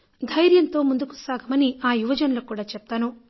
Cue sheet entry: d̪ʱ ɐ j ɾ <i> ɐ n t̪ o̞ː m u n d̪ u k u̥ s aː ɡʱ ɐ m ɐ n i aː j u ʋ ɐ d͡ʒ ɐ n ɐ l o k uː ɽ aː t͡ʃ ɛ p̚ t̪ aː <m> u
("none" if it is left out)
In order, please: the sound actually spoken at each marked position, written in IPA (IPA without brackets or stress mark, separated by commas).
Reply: j, n